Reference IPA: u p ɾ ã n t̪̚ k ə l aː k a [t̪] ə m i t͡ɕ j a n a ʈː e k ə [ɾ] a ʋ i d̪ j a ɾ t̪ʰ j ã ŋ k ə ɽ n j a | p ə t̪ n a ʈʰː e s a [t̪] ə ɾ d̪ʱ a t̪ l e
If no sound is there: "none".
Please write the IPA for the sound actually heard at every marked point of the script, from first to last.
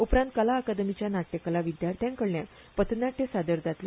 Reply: d̪, l, d̪

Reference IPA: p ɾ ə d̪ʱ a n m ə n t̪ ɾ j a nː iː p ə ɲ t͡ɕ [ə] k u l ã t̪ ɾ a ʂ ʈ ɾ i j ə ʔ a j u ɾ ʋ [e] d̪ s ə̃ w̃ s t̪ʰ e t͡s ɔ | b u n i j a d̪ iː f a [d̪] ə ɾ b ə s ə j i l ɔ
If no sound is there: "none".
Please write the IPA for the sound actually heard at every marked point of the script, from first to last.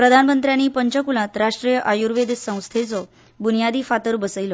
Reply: ə, e, t̪

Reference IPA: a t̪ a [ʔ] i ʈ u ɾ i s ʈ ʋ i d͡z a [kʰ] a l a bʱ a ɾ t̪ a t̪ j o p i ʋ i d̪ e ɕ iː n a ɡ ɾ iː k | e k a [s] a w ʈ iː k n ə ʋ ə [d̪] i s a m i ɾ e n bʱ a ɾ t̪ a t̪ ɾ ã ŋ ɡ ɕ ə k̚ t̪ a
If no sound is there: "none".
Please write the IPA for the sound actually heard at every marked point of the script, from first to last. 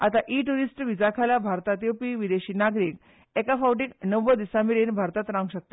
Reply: ʔ, kʰ, f, d̪

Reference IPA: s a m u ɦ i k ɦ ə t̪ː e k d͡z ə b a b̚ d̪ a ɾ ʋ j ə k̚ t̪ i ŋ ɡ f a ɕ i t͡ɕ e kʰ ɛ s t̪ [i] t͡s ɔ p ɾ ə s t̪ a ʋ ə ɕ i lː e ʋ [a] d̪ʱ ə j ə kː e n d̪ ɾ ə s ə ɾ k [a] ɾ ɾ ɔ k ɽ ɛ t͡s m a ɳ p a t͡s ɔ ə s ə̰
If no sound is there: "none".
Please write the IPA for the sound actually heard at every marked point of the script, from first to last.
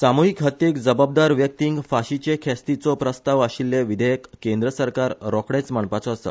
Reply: i, i, a

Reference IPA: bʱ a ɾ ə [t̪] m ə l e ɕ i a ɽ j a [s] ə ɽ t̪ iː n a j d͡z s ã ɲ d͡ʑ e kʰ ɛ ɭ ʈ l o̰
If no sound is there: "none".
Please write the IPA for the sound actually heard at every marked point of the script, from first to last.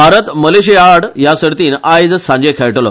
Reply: t̪, s

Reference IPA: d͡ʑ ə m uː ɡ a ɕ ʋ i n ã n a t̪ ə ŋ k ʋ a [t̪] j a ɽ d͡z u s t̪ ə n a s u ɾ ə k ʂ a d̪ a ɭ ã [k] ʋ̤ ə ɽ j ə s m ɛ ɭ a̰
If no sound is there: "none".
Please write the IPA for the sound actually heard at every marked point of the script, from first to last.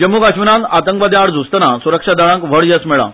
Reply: d̪, k

